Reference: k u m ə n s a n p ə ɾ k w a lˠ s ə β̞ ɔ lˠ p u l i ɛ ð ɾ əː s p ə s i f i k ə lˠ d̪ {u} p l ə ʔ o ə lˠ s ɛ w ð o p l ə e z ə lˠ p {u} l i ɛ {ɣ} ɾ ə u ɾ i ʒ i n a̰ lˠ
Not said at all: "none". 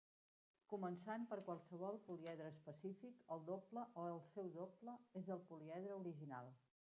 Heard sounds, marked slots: o, u, ð

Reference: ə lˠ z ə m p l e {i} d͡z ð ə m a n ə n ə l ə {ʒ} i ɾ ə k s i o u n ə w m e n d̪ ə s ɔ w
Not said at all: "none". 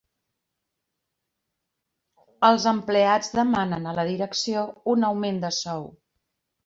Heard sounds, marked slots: a, ð

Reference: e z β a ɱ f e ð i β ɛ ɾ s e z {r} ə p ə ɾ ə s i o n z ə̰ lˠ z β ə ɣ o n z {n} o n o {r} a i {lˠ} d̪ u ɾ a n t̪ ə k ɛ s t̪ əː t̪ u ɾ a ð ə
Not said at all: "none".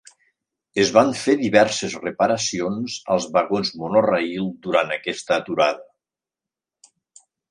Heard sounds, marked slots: r, m, r, lˠ

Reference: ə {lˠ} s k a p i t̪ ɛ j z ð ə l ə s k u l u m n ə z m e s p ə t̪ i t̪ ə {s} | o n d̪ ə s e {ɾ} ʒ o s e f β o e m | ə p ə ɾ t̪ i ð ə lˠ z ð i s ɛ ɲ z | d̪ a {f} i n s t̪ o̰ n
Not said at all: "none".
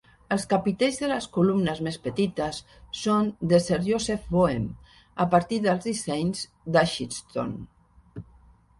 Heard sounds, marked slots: lˠ, sː, ɾ, ʃ

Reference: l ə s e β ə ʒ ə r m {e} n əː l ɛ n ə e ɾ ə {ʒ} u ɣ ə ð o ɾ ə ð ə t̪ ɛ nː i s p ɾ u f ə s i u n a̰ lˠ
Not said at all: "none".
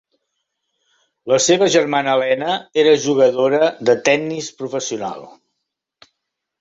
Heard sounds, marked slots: a, ʒ

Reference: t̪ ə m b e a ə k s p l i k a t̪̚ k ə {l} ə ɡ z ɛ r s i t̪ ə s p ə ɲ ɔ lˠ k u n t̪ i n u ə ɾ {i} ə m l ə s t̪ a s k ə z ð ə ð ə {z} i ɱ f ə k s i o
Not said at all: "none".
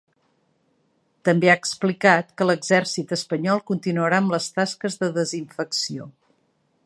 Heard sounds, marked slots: l, a, z

